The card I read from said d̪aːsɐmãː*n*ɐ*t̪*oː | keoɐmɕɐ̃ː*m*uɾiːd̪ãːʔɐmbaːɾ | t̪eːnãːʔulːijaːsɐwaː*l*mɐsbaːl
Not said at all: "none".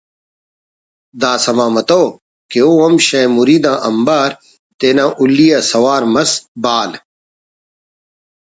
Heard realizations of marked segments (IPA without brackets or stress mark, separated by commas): m, t̪, m, ɾ